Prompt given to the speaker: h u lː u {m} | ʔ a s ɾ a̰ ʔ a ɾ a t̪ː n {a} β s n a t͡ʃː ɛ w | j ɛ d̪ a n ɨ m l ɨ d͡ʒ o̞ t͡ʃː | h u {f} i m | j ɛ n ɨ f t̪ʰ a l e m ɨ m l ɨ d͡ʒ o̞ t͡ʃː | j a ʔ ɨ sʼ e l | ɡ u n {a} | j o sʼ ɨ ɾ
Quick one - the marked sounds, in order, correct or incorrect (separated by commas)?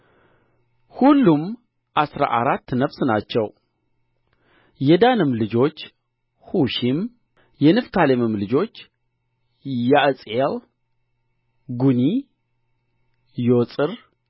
correct, incorrect, incorrect, incorrect